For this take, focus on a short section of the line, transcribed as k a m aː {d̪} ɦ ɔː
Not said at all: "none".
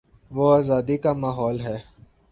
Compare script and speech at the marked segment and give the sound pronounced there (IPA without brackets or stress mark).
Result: none